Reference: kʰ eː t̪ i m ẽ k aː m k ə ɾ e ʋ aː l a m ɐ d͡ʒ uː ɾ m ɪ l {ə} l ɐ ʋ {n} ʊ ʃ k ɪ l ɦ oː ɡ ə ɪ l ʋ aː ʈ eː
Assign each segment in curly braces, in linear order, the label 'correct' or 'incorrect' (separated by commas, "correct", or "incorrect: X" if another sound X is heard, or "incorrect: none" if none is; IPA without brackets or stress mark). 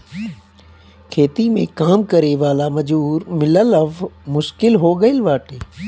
correct, incorrect: m